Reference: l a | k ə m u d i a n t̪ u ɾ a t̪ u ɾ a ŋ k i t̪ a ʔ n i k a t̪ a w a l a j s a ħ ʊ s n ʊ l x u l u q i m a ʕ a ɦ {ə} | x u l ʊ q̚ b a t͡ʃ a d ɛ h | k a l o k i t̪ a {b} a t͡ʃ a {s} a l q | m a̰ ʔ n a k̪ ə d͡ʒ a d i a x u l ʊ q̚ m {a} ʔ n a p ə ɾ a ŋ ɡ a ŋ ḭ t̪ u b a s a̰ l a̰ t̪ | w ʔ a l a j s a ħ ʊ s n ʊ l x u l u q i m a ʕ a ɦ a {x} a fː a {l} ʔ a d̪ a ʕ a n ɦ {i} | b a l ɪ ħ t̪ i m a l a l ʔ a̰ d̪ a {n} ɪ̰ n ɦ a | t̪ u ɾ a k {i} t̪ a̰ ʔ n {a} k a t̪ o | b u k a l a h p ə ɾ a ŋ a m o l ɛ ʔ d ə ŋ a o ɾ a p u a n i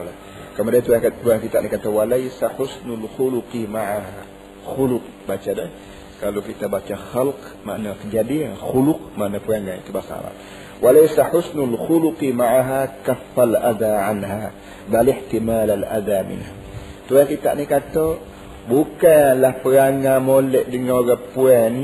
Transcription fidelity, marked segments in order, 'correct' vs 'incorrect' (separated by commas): incorrect, correct, incorrect, correct, incorrect, correct, incorrect, incorrect, correct, incorrect